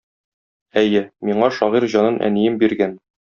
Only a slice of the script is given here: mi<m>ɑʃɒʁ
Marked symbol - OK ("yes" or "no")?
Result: no